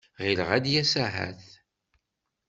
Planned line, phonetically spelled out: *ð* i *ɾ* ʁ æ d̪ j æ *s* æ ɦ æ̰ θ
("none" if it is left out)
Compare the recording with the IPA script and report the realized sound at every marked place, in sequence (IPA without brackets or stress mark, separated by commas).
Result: ʁ, l, s